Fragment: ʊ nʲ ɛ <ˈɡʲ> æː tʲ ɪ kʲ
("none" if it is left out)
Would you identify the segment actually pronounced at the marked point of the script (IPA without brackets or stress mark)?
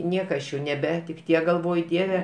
bʲ